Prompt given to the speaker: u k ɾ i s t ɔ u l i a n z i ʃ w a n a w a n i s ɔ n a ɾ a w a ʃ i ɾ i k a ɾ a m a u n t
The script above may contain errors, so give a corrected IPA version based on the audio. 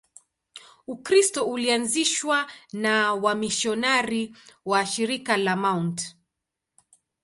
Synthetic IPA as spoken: u k ɾ i s t ɔ u l i a n z i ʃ w a n a w a m i ʃ ɔ n a ɾ i w a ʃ i ɾ i k a l a m a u n t

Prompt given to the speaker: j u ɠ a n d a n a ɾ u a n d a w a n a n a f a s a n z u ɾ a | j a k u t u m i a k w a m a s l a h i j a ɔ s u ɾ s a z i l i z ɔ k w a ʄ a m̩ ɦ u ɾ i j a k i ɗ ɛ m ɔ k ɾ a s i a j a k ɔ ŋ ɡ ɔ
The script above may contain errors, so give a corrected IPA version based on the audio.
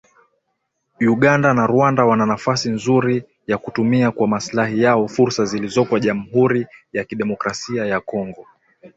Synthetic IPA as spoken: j u ɠ a n d a n a ɾ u a n d a w a n a n a f a s i n z u ɾ i | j a k u t u m i a k w a m a s l a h i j a ɔ f u ɾ s a z i l i z ɔ k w a ʄ a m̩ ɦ u ɾ i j a k i ɗ ɛ m ɔ k ɾ a s i a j a k ɔ ŋ ɡ ɔ

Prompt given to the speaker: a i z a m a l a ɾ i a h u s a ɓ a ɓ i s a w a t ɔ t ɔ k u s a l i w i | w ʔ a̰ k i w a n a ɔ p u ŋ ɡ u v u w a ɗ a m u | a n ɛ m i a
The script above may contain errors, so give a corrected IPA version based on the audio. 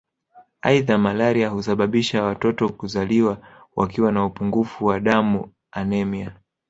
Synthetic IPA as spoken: a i ð a m a l a ɾ i a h u s a ɓ a ɓ i ʃ a w a t ɔ t ɔ k u z a l i w a | w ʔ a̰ k i w a n a u p u ŋ ɡ u f u w a ɗ a m u | a n ɛ m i a

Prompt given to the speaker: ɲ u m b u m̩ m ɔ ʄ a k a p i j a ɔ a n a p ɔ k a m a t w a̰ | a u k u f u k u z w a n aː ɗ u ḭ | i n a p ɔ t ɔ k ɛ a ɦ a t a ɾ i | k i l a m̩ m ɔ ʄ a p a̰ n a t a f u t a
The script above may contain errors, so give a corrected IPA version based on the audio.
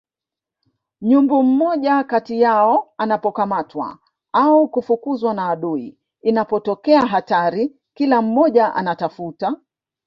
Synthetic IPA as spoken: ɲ u m b u m̩ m ɔ ʄ a k a t i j a ɔ a n a p ɔ k a m a t w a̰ | a u k u f u k u z w a n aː ɗ u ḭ | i n a p ɔ t ɔ k ɛ a ɦ a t a ɾ i | k i l a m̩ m ɔ ʄ a ʔ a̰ n a t a f u t a

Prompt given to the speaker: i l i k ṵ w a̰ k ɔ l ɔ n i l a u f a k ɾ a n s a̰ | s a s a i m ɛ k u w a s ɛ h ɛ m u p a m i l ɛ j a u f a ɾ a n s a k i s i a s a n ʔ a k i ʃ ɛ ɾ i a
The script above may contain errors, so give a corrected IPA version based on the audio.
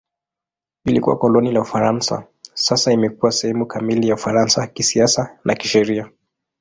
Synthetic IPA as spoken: i l i k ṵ w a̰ k ɔ l ɔ n i l a u f a ɾ a n s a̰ | s a s a i m ɛ k u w a s ɛ h ɛ m u k a m i l i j a u f a ɾ a n s a k i s i a s a n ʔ a k i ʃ ɛ ɾ i a

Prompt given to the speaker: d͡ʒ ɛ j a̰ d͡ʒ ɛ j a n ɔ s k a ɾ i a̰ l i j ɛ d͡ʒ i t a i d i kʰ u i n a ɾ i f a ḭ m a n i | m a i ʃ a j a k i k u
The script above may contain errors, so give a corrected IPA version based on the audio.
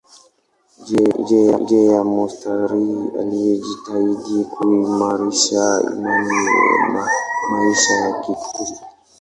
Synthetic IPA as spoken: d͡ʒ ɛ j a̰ d͡ʒ ɛ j a m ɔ s t a ɾ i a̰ l i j ɛ d͡ʒ i t a i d i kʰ u i m a ɾ i ʃ a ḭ m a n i | m a i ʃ a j a k i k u

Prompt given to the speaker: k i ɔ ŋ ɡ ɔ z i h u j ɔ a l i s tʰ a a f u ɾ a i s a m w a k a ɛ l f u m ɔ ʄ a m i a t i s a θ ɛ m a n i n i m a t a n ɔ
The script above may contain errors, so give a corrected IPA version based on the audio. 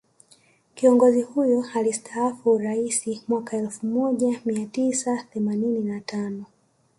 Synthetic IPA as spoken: k i ɔ ŋ ɡ ɔ z i h u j ɔ a l i s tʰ a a f u ɾ a i s i m w a k a ɛ l f u m ɔ ʄ a m i a t i s a θ ɛ m a n i n i n a t a n ɔ

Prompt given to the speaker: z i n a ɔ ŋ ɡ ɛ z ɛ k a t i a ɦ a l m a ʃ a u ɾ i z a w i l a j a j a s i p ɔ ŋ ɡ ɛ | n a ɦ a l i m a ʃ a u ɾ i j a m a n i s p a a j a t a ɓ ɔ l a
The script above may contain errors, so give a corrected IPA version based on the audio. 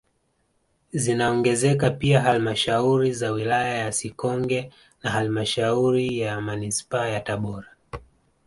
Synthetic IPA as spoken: z i n a ɔ ŋ ɡ ɛ z ɛ k a p i a ɦ a l m a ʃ a u ɾ i z a w i l a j a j a s i k ɔ ŋ ɡ ɛ | n a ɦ a l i m a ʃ a u ɾ i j a m a n i s p a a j a t a ɓ ɔ ɾ a

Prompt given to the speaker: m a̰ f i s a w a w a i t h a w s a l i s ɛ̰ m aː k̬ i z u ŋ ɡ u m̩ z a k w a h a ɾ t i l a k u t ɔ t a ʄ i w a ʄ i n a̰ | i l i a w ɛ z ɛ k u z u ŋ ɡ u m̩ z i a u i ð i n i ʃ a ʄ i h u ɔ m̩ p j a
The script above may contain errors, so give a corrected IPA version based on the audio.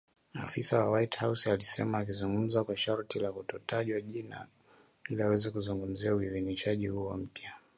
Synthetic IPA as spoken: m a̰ f i s a w a w a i t h a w s a l i s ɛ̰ m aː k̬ i z u ŋ ɡ u m̩ z a k w a ʃ a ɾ t i l a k u t ɔ t a ʄ i w a ʄ i n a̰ | i l i a w ɛ z ɛ k u z u ŋ ɡ u m̩ z i a u i ð i n i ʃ a ʄ i h u ɔ m̩ p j a

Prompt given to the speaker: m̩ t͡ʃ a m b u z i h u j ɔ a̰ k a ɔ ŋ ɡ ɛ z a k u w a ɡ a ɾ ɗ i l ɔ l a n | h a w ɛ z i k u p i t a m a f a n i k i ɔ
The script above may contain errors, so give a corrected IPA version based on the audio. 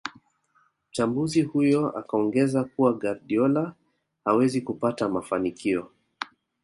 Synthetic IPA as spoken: m̩ t͡ʃ a m b u z i h u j ɔ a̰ k a ɔ ŋ ɡ ɛ z a k u w a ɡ a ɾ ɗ i ɔ l a | h a w ɛ z i k u p a t a m a f a n i k i ɔ

